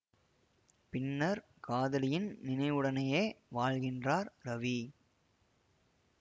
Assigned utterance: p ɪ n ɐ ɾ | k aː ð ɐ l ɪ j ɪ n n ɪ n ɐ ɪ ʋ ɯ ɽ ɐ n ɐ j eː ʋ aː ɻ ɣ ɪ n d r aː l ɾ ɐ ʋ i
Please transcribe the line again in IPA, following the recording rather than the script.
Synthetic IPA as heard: p ɪ nː ɐ ɾ | k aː ð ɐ l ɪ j ɪ n n ɪ n ɐ ɪ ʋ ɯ ɽ ɐ n ɐ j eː ʋ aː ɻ ɣ ɪ n d r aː ɾ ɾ ɐ ʋ i